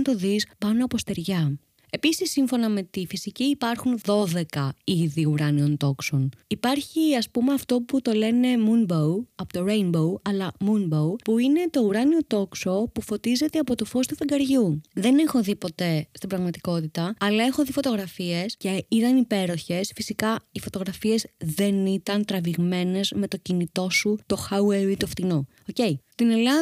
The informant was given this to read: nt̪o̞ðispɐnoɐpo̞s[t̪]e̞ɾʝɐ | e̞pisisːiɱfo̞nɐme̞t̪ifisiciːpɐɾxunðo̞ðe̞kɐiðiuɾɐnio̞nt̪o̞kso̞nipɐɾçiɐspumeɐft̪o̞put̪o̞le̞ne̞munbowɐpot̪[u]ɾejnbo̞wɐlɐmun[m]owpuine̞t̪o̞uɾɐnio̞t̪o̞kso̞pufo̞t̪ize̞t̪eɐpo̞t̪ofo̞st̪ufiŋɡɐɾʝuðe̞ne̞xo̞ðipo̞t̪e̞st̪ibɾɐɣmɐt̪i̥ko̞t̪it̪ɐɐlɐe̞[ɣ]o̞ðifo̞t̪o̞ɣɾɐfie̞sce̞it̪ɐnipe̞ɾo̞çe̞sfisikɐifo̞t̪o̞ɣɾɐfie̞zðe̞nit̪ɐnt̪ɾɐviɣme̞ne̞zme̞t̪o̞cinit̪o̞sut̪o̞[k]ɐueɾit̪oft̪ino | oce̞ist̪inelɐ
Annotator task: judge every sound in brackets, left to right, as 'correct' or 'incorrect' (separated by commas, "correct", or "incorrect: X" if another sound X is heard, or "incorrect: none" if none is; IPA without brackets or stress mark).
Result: correct, incorrect: o, incorrect: b, incorrect: x, incorrect: x